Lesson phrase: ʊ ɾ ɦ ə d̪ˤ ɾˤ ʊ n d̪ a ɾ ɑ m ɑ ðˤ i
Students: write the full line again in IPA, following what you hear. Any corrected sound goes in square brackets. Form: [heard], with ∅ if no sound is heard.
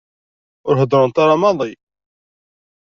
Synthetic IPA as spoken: ʊ ɾ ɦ ə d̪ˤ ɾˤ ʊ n [t̪] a ɾ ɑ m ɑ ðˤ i